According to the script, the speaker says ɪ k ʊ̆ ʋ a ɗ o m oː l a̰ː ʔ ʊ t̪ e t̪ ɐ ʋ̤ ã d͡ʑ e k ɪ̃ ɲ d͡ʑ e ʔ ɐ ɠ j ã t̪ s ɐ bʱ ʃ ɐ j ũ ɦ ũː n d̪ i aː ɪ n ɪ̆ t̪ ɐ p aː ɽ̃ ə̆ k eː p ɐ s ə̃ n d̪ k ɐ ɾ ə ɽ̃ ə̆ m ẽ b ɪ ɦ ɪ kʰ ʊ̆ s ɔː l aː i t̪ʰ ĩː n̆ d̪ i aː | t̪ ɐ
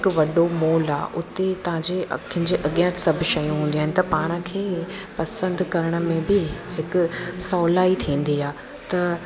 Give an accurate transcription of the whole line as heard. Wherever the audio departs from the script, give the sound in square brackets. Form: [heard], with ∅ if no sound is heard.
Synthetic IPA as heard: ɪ k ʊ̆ ʋ [ɐ] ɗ o m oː l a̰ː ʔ ʊ t̪ e t̪ ɐ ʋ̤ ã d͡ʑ e k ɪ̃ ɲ d͡ʑ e ʔ ɐ ɠ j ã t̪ s ɐ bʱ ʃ ɐ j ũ ɦ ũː n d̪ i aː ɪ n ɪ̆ t̪ ɐ p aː ɽ̃ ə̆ [kʰ] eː p ɐ s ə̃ n d̪ k ɐ ɾ ə ɽ̃ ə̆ m ẽ b ɪ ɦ ɪ [k] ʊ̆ s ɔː l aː i t̪ʰ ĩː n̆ d̪ i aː | t̪ ɐ